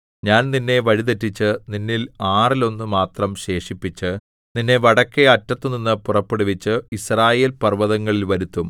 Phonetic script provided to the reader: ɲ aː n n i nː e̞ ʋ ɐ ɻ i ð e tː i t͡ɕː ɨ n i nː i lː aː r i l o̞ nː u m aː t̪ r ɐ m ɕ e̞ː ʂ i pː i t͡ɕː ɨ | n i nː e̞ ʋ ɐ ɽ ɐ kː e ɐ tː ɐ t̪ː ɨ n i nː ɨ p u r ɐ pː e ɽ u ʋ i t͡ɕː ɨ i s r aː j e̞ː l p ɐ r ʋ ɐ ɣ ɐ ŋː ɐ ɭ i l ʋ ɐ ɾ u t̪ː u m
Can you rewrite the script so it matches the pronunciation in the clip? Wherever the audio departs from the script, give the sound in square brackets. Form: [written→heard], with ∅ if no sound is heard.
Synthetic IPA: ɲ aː n n i nː e̞ ʋ ɐ ɻ i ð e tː i t͡ɕː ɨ n i nː i [lː→l] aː r i l o̞ nː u m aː t̪ r ɐ m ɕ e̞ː ʂ i pː i t͡ɕː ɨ | n i nː e̞ ʋ ɐ ɽ ɐ kː e ɐ tː ɐ t̪ː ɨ n i nː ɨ p u r ɐ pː e ɽ u ʋ i t͡ɕː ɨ i s r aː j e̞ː l p ɐ r ʋ ɐ [ɣ→ð] ɐ ŋː ɐ ɭ i l ʋ ɐ ɾ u t̪ː u m